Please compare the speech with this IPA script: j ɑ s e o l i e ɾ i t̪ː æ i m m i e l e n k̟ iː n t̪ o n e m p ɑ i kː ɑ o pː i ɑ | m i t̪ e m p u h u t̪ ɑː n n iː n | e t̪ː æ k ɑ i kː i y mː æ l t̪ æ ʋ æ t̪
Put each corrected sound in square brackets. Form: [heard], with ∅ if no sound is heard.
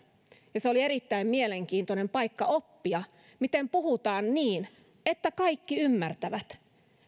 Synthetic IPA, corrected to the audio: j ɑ s e o l i e ɾ i t̪ː æ i m m i e l e [ŋ] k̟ iː n t̪ o n e m p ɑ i kː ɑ o pː i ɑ | m i t̪ e m p u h u t̪ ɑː n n iː n | e t̪ː æ k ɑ i kː i y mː æ [r] t̪ æ ʋ æ t̪